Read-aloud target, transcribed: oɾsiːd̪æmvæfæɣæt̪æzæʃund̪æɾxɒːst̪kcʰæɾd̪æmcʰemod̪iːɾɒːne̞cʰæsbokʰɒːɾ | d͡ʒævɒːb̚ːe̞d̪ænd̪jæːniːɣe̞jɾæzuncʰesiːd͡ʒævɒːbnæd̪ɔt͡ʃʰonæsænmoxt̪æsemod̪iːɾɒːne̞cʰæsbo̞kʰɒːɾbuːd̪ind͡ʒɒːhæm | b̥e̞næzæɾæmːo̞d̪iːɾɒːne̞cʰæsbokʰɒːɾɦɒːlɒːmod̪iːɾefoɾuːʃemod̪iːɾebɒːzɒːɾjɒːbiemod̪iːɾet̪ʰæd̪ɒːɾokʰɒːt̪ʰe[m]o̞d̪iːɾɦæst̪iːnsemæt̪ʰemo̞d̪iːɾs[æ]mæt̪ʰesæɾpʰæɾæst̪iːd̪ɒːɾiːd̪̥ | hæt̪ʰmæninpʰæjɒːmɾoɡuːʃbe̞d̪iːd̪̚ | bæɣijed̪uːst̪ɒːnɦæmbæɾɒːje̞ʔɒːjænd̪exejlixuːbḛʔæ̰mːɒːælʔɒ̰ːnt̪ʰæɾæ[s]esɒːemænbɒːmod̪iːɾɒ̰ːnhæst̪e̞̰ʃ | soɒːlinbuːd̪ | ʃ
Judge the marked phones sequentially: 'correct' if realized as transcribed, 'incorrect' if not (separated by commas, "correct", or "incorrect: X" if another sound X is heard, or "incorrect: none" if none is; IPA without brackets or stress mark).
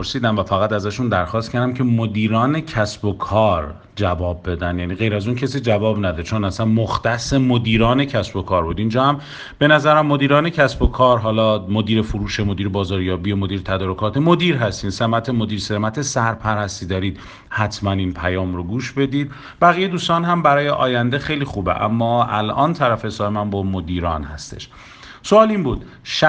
correct, incorrect: e, incorrect: f